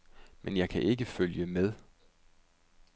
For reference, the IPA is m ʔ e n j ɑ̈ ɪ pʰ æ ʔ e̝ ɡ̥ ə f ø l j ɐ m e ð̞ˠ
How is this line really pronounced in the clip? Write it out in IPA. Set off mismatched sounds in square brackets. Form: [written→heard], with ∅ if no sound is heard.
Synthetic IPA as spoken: m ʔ e n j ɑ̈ ɪ [pʰ→kʰ] æ ʔ e̝ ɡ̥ ə f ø l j [ɐ→ə] m e ð̞ˠ